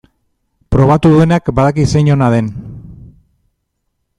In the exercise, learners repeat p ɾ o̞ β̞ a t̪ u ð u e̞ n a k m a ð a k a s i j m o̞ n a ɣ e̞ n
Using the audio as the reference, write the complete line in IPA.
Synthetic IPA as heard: p ɾ o̞ β̞ a t̪ u ð u e̞ n a k b a ð a k i s e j ɲ o̞ n a ð e̞ n